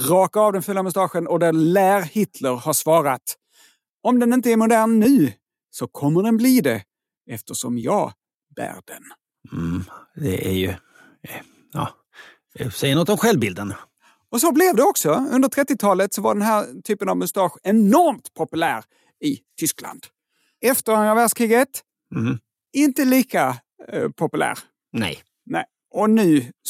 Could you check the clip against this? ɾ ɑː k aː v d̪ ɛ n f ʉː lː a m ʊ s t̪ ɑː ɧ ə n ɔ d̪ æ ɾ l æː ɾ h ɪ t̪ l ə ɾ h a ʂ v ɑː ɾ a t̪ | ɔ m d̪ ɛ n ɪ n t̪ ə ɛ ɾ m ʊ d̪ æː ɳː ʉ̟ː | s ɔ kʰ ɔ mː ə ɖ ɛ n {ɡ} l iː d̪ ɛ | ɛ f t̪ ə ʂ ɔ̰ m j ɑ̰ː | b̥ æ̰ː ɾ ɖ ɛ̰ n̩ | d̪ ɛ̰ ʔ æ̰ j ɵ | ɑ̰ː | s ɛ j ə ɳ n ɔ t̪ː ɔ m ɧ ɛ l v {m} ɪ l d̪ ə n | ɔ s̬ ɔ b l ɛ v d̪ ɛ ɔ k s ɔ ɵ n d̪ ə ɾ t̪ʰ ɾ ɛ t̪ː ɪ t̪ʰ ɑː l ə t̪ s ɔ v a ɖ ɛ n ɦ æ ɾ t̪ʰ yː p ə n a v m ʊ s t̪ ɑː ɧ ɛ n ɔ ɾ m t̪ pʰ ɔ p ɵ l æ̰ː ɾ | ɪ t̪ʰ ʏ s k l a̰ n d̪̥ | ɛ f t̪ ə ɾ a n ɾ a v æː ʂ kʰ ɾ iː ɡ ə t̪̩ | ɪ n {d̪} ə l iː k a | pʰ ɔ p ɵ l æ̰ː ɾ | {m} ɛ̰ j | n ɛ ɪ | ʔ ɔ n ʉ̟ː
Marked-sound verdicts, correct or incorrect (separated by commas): incorrect, incorrect, incorrect, incorrect